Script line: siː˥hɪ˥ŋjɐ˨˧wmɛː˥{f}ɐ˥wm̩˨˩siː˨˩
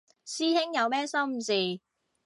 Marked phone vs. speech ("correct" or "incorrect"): incorrect